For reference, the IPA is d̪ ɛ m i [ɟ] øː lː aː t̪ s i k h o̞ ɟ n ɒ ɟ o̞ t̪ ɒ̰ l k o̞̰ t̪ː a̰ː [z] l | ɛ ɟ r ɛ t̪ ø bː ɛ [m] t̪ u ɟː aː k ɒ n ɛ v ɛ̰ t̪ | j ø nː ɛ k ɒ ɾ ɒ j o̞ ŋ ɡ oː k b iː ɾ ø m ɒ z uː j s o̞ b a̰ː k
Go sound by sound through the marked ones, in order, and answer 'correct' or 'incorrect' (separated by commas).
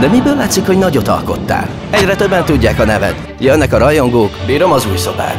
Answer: incorrect, incorrect, incorrect